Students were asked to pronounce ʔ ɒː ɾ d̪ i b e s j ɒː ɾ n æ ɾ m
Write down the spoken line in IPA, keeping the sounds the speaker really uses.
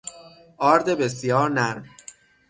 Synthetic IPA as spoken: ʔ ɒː ɾ d̪ e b e s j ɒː ɾ n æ ɾ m